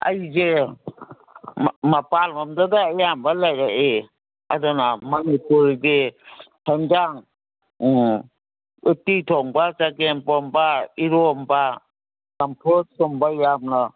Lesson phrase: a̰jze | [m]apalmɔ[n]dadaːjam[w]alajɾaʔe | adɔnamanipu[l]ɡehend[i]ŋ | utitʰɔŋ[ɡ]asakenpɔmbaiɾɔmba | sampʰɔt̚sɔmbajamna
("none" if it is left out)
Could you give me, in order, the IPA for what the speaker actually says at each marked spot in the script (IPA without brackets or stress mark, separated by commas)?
m, m, b, ɾ, a, b